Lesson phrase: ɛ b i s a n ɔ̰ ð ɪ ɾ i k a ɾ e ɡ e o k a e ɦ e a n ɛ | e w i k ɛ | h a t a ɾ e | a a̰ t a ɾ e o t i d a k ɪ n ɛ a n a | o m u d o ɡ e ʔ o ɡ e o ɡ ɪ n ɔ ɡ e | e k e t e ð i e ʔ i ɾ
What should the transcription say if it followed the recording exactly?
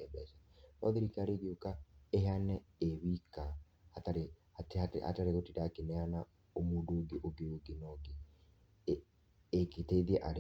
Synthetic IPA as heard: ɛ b ɛ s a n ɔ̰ ð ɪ ɾ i k a ɾ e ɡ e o k a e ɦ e a n ɛ | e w i k a | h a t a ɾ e | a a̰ t a ɾ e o t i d a k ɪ n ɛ a n a | o m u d o ɡ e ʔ o ɡ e o ɡ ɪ n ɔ ɡ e | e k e t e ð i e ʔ a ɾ